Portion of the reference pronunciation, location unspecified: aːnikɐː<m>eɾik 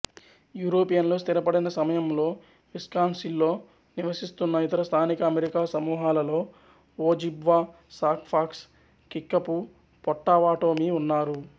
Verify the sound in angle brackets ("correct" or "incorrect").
correct